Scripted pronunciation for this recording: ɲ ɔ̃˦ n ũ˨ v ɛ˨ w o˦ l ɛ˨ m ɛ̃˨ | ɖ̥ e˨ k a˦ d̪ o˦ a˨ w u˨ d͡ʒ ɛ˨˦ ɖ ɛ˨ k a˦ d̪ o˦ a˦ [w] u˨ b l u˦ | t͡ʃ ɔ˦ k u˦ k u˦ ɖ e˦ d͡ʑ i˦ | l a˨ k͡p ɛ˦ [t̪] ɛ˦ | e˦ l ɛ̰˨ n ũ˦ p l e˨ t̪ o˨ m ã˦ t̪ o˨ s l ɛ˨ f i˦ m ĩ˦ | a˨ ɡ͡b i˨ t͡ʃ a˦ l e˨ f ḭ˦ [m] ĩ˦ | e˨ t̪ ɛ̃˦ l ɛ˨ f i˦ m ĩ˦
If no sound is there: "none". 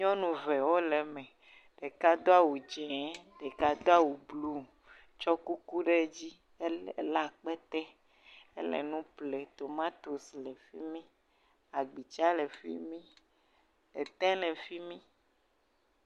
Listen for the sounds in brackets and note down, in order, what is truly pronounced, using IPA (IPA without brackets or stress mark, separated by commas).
w, t̪, m